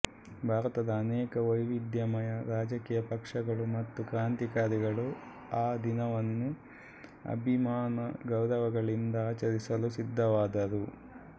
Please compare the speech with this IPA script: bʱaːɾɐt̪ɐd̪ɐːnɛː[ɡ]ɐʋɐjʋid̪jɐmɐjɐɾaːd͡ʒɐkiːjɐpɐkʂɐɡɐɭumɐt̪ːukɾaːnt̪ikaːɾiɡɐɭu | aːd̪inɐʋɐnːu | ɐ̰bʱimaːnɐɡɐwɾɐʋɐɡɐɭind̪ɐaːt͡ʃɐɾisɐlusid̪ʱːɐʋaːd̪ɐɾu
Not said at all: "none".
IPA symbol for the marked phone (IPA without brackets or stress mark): k